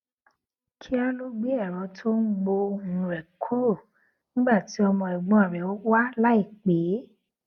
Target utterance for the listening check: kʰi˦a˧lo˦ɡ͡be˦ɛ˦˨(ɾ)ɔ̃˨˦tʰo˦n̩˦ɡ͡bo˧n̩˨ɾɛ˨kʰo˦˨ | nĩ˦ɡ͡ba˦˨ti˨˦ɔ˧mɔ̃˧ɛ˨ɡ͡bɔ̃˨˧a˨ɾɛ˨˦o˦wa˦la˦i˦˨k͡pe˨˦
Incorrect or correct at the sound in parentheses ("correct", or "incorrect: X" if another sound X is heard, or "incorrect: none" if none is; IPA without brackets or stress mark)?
correct